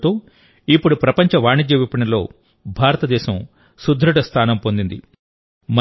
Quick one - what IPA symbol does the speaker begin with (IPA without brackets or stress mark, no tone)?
t̪